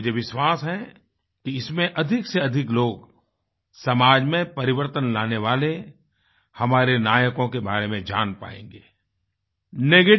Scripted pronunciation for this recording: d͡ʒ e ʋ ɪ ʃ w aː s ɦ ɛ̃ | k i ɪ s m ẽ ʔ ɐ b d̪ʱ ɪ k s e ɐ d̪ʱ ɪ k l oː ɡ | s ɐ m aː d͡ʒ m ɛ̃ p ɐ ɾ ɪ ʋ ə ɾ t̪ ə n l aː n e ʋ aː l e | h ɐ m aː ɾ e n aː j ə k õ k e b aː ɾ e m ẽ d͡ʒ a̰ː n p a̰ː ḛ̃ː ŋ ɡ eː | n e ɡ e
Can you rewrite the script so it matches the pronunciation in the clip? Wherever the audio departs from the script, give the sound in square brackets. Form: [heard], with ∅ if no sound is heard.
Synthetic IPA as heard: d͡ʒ e ʋ ɪ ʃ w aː s ɦ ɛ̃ | k i ɪ s m ẽ ʔ ɐ [∅] d̪ʱ ɪ k s e ɐ d̪ʱ ɪ k l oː ɡ | s ɐ m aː d͡ʒ m [ẽ] p ɐ ɾ ɪ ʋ ə ɾ t̪ ə n l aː n e ʋ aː l e | h ɐ m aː ɾ e n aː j ə k õ k e b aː ɾ e m ẽ d͡ʒ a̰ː n p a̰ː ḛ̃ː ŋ ɡ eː | n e ɡ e

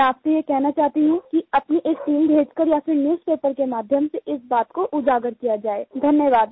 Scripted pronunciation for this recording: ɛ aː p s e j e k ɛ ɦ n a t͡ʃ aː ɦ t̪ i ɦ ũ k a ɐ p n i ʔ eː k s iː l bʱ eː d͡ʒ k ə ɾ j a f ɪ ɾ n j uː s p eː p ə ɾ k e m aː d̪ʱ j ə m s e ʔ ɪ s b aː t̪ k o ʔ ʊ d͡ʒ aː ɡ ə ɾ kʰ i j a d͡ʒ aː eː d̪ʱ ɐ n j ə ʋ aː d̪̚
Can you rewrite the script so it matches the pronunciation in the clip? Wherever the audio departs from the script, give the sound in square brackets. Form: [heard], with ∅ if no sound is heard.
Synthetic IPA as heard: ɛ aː p s e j e k ɛ ɦ n a t͡ʃ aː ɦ t̪ i ɦ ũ k [i] ɐ p n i ʔ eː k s iː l bʱ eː d͡ʒ k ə ɾ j a f ɪ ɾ n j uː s p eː p ə ɾ k e m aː d̪ʱ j ə m s e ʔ ɪ s b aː t̪ k o ʔ ʊ d͡ʒ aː ɡ ə ɾ [k] i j a d͡ʒ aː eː d̪ʱ ɐ n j ə ʋ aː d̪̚

